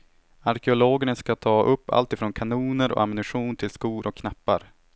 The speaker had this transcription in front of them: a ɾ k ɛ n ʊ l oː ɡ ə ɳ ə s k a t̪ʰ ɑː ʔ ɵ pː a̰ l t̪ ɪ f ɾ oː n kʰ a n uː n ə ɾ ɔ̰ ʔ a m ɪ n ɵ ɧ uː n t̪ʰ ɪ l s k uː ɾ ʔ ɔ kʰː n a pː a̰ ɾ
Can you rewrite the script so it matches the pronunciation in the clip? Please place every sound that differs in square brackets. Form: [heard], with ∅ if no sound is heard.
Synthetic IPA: a ɾ k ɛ [∅] ʊ l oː ɡ ə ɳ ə s k a t̪ʰ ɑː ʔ ɵ pː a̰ l t̪ ɪ f ɾ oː n kʰ a n uː n ə ɾ ɔ̰ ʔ a m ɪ n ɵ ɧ uː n t̪ʰ ɪ l s k uː ɾ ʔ ɔ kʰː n a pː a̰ ɾ